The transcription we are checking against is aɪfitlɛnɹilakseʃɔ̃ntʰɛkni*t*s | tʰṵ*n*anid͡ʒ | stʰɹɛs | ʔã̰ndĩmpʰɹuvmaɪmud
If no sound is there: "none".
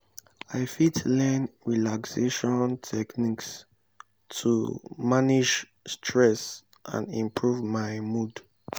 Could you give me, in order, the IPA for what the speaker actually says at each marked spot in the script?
k, m

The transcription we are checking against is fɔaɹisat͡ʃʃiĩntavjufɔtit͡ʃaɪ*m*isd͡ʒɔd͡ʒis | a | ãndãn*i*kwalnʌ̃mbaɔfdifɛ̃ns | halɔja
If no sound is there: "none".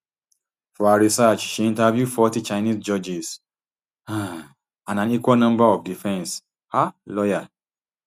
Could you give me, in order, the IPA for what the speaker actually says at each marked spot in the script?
n, i

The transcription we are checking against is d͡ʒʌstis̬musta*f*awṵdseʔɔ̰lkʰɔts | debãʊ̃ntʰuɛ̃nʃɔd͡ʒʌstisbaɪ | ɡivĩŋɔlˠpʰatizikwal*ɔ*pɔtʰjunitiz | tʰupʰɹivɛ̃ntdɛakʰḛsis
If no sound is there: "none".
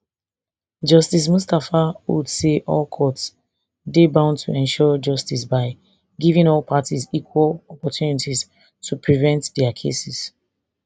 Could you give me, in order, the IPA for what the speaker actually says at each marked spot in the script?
f, ɔ

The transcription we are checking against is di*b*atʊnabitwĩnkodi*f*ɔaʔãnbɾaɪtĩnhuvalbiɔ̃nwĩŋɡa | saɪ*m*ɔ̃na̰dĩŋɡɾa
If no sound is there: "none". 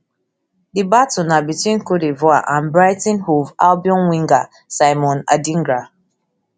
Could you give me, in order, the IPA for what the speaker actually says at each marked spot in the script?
b, v, m

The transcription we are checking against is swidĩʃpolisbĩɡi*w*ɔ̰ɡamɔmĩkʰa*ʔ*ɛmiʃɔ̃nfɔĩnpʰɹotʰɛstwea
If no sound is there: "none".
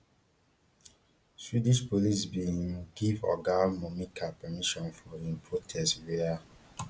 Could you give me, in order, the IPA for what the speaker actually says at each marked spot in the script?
v, p

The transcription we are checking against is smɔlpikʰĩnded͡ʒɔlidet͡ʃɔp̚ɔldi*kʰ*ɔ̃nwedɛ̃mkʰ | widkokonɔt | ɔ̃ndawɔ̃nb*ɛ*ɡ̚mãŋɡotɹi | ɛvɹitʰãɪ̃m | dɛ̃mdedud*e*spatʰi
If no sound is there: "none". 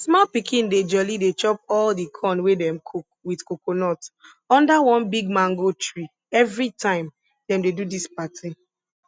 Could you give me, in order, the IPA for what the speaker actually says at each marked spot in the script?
kʰ, i, i

